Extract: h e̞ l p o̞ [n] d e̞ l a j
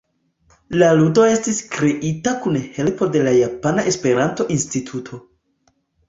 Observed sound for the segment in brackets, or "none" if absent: none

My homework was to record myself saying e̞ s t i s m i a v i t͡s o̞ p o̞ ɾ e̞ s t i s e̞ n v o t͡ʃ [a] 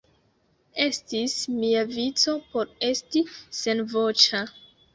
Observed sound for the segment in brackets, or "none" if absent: a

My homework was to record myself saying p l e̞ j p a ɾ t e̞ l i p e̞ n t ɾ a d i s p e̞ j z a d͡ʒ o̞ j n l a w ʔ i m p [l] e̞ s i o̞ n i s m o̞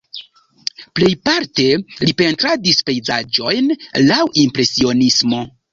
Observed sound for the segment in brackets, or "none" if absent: ɾ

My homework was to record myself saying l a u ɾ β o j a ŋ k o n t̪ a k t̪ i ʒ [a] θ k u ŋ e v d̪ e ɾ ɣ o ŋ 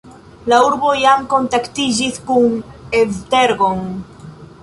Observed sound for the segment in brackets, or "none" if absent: i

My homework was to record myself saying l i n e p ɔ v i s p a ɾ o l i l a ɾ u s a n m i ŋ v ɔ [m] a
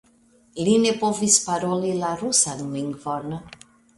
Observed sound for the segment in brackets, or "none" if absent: n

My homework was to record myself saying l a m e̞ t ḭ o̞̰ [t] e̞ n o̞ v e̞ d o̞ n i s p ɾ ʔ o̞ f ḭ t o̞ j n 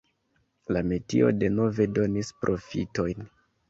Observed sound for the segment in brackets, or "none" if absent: d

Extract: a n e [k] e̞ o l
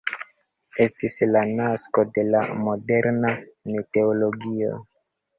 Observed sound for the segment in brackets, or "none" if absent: t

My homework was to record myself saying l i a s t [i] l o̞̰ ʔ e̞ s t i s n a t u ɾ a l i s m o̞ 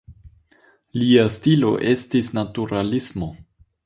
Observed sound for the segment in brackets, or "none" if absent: i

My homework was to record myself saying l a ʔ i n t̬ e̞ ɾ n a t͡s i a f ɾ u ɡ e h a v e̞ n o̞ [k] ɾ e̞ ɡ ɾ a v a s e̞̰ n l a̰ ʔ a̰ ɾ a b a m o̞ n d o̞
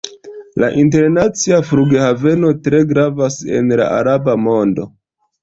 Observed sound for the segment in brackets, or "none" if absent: t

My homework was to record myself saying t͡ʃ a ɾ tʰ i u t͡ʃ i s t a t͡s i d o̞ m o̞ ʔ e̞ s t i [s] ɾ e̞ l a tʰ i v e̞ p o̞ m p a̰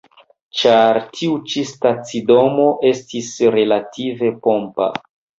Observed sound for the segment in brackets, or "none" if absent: s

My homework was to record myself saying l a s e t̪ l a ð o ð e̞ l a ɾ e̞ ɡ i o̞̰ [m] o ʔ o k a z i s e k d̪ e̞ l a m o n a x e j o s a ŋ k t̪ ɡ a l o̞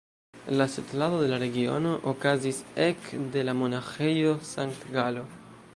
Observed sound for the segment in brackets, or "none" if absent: n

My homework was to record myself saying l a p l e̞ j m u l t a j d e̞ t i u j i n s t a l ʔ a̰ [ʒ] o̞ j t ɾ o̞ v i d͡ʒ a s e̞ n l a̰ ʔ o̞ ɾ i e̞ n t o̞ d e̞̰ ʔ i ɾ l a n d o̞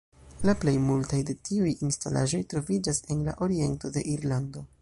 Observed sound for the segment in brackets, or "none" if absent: ʒ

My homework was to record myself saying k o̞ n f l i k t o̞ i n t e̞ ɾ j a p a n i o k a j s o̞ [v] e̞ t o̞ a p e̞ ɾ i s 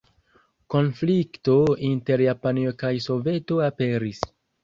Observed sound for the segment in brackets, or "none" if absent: v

